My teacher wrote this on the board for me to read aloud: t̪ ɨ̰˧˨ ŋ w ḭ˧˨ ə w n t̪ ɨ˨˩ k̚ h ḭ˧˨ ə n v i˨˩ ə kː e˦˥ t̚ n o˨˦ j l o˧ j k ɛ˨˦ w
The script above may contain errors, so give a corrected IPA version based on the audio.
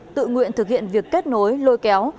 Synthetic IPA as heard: t̪ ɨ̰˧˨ ŋ w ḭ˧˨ ə n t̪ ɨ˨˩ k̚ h ḭ˧˨ ə n v i˨˩ ə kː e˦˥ t̚ n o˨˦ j l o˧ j k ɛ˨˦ w